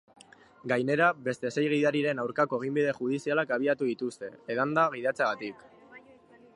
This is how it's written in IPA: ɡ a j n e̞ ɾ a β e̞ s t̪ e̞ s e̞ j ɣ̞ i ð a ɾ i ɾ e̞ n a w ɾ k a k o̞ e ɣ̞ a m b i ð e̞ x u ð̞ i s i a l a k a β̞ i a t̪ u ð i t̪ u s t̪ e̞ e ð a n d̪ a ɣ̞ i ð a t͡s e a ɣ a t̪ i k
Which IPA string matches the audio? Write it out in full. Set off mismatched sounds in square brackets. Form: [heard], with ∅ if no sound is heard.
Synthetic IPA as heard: ɡ a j n e̞ ɾ a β e̞ s t̪ e̞ s e̞ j ɣ̞ i ð a ɾ i ɾ e̞ n a w ɾ k a k o̞ e ɣ̞ [i] m b i ð e̞ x u ð̞ i s i a l a k a β̞ i a t̪ u ð i t̪ u s t̪ e̞ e ð a n d̪ a ɣ̞ i ð a t͡s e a ɣ a t̪ i k

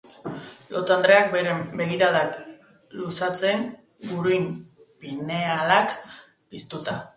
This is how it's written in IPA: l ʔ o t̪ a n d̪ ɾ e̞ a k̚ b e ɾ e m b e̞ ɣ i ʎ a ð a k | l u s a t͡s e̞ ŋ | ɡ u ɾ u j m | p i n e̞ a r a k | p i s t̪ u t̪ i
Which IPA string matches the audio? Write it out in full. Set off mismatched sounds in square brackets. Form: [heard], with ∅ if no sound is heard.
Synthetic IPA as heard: l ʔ o t̪ a n d̪ ɾ e̞ a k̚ b e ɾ e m b e̞ ɣ i [ɾ] a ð a k | l u s a t͡s e̞ ŋ | ɡ u ɾ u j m | p i n e̞ a [l] a k | p i s t̪ u t̪ [a]

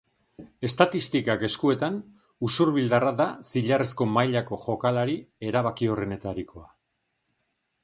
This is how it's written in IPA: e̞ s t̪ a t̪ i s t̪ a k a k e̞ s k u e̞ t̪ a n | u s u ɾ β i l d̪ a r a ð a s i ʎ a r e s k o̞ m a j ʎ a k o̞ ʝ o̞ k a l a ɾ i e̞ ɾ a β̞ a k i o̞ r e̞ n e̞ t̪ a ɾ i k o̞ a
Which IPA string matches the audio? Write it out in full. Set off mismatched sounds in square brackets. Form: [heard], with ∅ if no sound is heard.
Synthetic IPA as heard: e̞ s t̪ a t̪ i s t̪ [i] k a k e̞ s k u e̞ t̪ a n | u s u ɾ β i l d̪ a r a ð a s i ʎ a r e s k o̞ m a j ʎ a k o̞ ʝ o̞ k a l a ɾ i e̞ ɾ a β̞ a k i o̞ r e̞ n e̞ t̪ a ɾ i k o̞ a

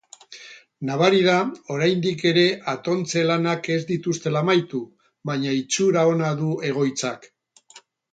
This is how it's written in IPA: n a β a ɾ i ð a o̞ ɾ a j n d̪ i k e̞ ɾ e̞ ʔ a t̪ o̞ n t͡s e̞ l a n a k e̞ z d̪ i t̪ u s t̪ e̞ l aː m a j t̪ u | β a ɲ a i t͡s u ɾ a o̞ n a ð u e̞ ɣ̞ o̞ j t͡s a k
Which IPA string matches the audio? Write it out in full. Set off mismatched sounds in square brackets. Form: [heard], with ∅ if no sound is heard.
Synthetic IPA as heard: n a β a ɾ i ð a o̞ ɾ a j n d̪ i k e̞ ɾ e̞ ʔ a t̪ o̞ n t͡s e̞ l a n a k e̞ z d̪ i t̪ u s t̪ e̞ l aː m a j t̪ u | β a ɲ a i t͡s u ɾ a o̞ n a ð u e̞ ɣ̞ o̞ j t͡s a k

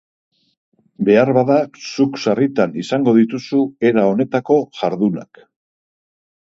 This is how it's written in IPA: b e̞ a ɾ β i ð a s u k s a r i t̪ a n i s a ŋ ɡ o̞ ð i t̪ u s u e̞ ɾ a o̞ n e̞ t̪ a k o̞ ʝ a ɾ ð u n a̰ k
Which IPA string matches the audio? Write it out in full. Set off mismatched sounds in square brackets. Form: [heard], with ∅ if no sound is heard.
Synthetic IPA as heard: b e̞ a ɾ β [a] ð a s u k s a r i t̪ a n i s a ŋ ɡ o̞ ð i t̪ u s u e̞ ɾ a o̞ n e̞ t̪ a k o̞ ʝ a ɾ ð u n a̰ k

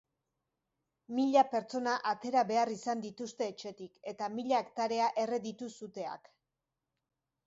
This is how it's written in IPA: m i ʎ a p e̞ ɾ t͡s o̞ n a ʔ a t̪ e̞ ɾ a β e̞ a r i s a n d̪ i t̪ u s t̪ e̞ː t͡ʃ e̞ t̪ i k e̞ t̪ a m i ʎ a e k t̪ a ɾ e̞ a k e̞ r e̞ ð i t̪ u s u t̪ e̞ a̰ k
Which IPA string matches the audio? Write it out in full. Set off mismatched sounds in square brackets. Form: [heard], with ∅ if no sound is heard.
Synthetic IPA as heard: m i ʎ a p e̞ ɾ t͡s o̞ n a ʔ a t̪ e̞ ɾ a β e̞ a r i s a n d̪ i t̪ u s t̪ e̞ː t͡ʃ e̞ t̪ i k e̞ t̪ a m i ʎ a e k t̪ a ɾ e̞ a [ʔ] e̞ r e̞ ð i t̪ u s u t̪ e̞ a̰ k

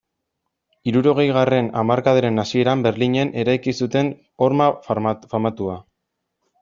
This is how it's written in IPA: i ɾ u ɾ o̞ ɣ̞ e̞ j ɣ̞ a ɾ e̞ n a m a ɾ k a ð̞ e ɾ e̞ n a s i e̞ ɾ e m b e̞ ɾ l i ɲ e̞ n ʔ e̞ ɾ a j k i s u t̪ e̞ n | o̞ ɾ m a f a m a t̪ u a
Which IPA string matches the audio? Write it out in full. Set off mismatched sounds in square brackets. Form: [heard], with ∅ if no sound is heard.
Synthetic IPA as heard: i ɾ u ɾ o̞ ɣ̞ e̞ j ɣ̞ a [r] e̞ n a m a ɾ k a ð̞ e ɾ e̞ n a s i e̞ ɾ [a] m b e̞ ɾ l i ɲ e̞ n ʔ e̞ ɾ a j k i s u t̪ e̞ n | o̞ ɾ m a f a m a t̪ u a

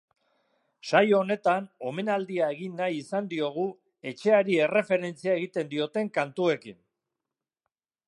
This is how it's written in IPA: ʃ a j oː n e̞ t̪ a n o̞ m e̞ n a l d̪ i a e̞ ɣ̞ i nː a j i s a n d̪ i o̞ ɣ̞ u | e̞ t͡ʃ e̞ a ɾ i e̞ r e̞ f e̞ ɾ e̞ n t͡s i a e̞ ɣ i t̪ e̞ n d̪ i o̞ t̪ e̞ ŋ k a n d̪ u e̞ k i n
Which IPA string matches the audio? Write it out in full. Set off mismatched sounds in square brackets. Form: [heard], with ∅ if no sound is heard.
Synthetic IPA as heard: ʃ a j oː n e̞ t̪ a n o̞ m e̞ n a l d̪ i a e̞ ɣ̞ i nː a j i s a n d̪ i o̞ ɣ̞ u | e̞ t͡ʃ e̞ a ɾ i e̞ r e̞ f e̞ ɾ e̞ n t͡s i a e̞ ɣ i t̪ e̞ n d̪ i o̞ t̪ e̞ ŋ k a n [t̪] u e̞ k i n

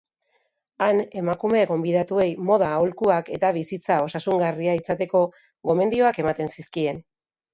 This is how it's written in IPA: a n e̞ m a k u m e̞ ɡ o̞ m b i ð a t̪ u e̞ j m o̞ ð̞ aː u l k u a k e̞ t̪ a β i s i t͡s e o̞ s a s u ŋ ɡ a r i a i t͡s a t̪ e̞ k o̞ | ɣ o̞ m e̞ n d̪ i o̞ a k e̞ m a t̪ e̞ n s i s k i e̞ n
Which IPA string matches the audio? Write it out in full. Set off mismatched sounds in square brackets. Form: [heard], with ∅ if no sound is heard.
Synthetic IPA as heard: a n e̞ m a k u m e̞ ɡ o̞ m b i ð a t̪ u e̞ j m o̞ ð̞ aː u l k u a k e̞ t̪ a β i s i t͡s [a] o̞ s a s u ŋ ɡ a r i a i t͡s a t̪ e̞ k o̞ | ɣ o̞ m e̞ n d̪ i o̞ a k e̞ m a t̪ e̞ n s i s k i e̞ n

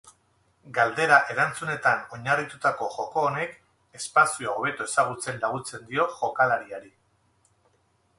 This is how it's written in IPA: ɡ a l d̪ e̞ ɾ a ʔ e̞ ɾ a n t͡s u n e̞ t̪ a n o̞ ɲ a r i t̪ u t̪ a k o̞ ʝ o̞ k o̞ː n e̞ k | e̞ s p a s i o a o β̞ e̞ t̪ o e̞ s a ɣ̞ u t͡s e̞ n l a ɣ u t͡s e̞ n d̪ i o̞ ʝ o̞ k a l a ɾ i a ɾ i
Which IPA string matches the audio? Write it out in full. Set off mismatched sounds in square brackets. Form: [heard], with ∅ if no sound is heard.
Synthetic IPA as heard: ɡ a l d̪ e̞ ɾ a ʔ e̞ ɾ a n t͡s u n e̞ t̪ a n o̞ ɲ a r i t̪ u t̪ a k o̞ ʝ o̞ k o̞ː n e̞ k | e̞ s p a s i o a o β̞ e̞ t̪ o e̞ s a ɣ̞ u t͡s e̞ n l a ɣ u t͡s e̞ n d̪ i o̞ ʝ o̞ k a l a ɾ i a ɾ i

